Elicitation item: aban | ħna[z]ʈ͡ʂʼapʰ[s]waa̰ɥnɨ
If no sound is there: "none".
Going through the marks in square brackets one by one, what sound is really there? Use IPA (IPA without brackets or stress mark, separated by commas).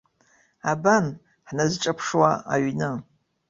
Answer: z, ʂ